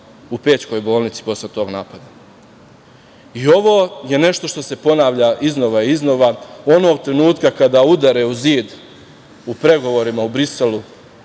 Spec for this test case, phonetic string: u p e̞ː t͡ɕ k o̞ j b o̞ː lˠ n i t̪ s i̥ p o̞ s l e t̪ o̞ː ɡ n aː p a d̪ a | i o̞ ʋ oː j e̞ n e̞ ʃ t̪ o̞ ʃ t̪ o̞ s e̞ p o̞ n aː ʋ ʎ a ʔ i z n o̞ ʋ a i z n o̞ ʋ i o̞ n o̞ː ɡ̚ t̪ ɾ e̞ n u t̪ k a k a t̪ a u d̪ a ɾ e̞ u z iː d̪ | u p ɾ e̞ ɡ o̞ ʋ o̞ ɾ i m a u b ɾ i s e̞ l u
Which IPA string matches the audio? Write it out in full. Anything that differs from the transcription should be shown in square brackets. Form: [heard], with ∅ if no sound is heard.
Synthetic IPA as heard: u p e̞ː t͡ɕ k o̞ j b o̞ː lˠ n i t̪ s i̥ p o̞ s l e t̪ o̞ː ɡ n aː p a d̪ a | i o̞ ʋ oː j e̞ n e̞ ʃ t̪ o̞ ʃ t̪ o̞ s e̞ p o̞ n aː ʋ ʎ a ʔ i z n o̞ ʋ a i z n o̞ ʋ [a] o̞ n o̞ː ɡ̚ t̪ ɾ e̞ n [uː] t̪ k a k a [d̪] a u d̪ a ɾ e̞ u z iː d̪ | u p ɾ e̞ ɡ o̞ ʋ o̞ ɾ i m a u b ɾ i s e̞ l u